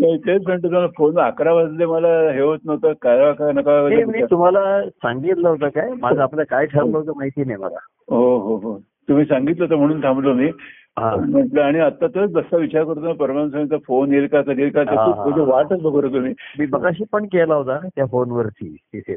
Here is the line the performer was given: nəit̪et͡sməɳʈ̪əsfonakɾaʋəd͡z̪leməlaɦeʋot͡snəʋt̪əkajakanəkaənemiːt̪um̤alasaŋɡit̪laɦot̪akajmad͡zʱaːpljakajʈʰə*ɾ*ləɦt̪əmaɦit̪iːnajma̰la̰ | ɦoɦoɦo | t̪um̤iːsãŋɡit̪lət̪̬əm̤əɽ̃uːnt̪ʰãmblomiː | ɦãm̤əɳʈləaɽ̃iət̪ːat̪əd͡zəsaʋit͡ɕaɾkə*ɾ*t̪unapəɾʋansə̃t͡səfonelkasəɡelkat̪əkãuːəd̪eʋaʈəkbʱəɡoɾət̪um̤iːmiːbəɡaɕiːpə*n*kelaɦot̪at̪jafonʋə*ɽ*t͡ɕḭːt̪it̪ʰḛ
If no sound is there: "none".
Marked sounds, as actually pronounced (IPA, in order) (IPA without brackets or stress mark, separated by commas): ɾ, ɾ, ɳ, ɾ